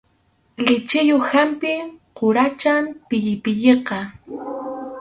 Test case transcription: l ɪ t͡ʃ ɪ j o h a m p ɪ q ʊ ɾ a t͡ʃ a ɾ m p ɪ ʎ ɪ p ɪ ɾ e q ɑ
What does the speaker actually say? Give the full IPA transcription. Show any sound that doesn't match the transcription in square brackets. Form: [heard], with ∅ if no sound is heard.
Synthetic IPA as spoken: l ɪ t͡ʃ ɪ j o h a m p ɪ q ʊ ɾ a t͡ʃ a [∅] m p ɪ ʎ ɪ p ɪ [ʎ] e q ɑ